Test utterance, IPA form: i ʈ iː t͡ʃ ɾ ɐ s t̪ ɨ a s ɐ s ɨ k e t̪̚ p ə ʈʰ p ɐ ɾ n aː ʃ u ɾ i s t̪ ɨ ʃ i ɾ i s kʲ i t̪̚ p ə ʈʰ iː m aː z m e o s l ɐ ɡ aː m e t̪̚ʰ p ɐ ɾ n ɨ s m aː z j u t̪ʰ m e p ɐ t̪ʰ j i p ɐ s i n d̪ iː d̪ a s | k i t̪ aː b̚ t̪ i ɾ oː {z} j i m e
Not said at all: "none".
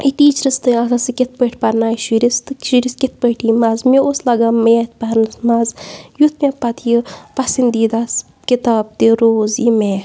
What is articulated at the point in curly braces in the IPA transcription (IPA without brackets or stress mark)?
z